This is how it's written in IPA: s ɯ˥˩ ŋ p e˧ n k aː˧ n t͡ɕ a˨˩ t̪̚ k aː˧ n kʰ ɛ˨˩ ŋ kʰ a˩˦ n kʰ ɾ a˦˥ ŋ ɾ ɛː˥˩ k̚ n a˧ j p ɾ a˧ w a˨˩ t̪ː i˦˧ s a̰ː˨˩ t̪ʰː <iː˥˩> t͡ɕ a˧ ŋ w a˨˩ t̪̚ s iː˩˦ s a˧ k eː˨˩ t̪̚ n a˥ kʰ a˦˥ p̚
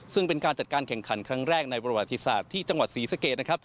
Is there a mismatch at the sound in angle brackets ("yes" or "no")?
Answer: no